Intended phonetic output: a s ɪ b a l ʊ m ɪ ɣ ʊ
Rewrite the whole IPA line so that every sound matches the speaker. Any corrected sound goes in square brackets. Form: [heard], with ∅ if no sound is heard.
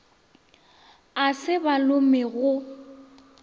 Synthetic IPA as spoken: a s ɪ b a l ʊ m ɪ ɣ ʊ